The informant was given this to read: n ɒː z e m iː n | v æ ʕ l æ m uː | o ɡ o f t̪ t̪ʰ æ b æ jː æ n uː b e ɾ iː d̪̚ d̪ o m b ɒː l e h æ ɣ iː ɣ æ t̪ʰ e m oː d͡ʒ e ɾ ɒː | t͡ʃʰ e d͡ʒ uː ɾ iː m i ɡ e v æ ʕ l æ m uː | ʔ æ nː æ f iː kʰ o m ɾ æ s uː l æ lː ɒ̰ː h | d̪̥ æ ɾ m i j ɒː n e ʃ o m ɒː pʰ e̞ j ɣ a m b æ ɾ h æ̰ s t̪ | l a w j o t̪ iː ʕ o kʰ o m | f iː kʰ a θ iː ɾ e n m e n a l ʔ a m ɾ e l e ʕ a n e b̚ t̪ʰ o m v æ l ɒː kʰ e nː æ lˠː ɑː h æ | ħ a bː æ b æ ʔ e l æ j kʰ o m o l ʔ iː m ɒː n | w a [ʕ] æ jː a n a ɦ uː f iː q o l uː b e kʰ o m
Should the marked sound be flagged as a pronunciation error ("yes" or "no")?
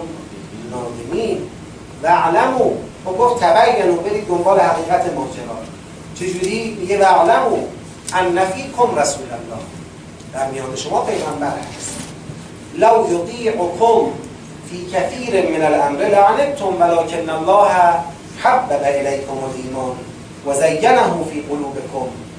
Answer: yes